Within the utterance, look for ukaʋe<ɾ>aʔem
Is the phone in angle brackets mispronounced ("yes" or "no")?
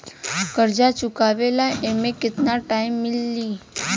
yes